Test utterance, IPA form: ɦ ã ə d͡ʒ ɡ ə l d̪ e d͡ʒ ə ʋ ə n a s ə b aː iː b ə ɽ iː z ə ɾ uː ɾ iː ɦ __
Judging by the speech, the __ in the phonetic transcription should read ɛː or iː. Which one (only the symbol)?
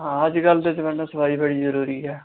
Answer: ɛː